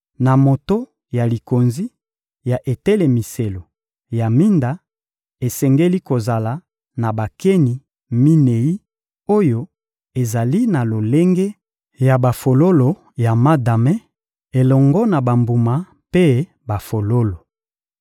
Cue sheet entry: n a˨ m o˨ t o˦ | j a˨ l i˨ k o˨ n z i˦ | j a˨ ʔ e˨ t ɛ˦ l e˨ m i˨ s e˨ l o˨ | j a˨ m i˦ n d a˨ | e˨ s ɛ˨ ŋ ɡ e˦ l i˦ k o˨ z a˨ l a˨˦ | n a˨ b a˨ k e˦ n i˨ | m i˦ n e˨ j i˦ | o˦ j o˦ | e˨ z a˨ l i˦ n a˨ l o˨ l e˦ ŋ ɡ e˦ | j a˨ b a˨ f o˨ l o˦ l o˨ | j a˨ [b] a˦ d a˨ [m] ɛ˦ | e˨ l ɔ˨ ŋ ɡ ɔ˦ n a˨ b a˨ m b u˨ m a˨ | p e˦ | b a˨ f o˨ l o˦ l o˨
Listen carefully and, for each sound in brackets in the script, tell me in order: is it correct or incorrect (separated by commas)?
incorrect, correct